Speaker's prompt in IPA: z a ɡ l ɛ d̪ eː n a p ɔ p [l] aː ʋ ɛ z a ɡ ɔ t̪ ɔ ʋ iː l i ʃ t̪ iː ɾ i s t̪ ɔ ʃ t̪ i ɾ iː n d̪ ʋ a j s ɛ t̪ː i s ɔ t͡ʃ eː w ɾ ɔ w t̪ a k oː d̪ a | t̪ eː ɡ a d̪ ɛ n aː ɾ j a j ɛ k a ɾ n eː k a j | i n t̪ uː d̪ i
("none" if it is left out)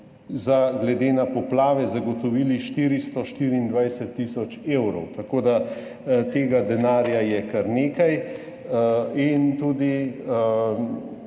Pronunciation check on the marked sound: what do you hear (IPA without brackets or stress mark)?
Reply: l